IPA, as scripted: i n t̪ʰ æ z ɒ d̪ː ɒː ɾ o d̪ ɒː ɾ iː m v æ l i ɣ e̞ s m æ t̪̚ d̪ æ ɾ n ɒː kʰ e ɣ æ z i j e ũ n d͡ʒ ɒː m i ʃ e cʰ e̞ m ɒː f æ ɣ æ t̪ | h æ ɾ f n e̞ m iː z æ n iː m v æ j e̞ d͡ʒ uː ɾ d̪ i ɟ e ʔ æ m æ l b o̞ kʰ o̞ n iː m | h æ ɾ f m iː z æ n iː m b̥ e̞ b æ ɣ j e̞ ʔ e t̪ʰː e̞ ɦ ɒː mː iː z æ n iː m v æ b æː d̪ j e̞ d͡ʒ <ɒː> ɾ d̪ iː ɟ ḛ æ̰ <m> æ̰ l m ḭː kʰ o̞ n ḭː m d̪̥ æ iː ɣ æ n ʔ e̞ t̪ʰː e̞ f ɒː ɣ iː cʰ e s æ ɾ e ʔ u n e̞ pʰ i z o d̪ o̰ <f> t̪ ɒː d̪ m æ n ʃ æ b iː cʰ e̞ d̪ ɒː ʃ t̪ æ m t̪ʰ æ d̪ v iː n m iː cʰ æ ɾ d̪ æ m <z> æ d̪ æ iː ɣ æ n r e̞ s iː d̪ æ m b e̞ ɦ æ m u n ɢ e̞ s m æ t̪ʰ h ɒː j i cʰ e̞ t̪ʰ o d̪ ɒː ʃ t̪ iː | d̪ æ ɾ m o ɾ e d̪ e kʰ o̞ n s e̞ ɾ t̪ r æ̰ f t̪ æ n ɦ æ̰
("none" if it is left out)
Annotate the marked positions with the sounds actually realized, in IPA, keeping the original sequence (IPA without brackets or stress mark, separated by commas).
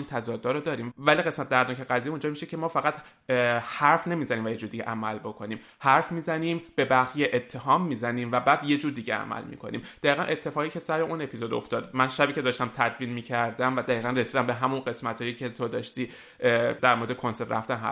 uː, m, f, v